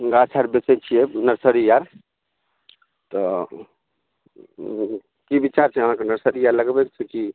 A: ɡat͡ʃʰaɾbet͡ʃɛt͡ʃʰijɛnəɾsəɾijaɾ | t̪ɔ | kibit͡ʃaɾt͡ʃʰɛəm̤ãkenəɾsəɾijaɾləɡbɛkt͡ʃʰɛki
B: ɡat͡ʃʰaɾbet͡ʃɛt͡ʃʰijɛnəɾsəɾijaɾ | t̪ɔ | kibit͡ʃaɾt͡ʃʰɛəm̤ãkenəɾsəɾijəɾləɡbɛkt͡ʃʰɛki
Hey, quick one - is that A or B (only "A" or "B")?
A